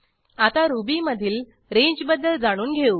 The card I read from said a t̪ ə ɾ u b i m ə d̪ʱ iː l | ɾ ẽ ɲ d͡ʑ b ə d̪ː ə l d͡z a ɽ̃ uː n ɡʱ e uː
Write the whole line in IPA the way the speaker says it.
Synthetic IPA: a t̪ a ɾ u b i m ə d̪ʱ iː l | ɾ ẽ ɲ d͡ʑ b ə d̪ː ə l d͡z a ɽ̃ uː n ɡʱ e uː